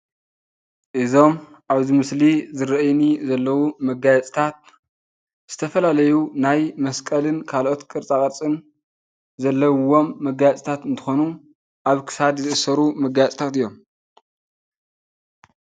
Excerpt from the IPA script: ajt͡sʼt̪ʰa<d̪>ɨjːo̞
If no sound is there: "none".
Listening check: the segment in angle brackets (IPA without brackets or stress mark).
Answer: t̪